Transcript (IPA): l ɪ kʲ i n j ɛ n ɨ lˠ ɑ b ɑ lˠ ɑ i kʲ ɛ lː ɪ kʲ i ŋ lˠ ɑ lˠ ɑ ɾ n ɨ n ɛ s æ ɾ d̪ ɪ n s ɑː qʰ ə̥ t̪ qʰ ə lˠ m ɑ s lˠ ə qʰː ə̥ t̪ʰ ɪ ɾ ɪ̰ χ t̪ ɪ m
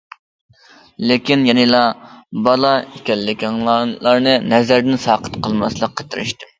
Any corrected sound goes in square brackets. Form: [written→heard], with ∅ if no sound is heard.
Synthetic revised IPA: l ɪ kʲ i n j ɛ n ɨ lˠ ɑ b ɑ lˠ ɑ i kʲ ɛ lː ɪ kʲ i ŋ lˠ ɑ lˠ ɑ ɾ n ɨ n ɛ [s→z] æ ɾ d̪ ɪ n s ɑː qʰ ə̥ t̪ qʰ ə lˠ m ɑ s lˠ ə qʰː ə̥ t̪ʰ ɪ ɾ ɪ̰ [χ→ʃ] t̪ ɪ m